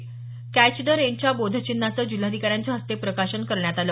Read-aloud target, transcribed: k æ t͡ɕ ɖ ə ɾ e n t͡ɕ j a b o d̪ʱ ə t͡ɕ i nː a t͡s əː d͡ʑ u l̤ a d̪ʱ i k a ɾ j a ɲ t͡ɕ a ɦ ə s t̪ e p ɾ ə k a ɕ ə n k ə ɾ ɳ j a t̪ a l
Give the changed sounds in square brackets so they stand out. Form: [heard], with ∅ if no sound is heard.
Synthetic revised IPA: k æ t͡ɕ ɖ ə ɾ e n t͡ɕ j a b o d̪ʱ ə t͡ɕ i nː a t͡s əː d͡ʑ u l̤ a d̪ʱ i k a ɾ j a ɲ t͡ɕ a ɦ ə s t̪ e p ɾ ə k a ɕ ə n k ə ɾ ɳ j a t̪ a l